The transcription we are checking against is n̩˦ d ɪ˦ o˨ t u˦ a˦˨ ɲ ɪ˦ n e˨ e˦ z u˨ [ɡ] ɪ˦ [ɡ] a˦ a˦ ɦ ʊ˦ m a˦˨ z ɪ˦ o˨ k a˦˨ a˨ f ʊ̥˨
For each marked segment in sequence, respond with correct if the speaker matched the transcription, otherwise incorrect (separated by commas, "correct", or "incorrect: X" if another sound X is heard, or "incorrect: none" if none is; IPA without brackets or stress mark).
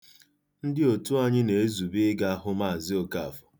incorrect: b, correct